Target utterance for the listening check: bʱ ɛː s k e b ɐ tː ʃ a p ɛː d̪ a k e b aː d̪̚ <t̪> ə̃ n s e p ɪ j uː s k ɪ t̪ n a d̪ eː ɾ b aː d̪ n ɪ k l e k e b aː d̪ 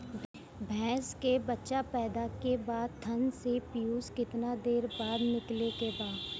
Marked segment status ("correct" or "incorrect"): incorrect